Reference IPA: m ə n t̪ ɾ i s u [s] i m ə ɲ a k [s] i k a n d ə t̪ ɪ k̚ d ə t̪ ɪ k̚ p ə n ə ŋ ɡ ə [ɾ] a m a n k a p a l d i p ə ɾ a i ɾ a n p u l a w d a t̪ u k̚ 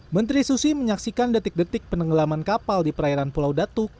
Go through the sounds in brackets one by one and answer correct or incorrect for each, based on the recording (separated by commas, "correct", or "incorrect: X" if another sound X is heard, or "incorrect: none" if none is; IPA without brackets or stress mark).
correct, correct, incorrect: l